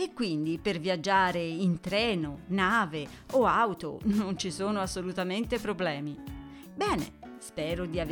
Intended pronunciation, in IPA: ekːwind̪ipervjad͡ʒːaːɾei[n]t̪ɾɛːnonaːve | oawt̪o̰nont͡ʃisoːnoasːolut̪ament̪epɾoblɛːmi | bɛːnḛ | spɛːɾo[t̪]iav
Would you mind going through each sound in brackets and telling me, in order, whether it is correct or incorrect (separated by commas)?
correct, incorrect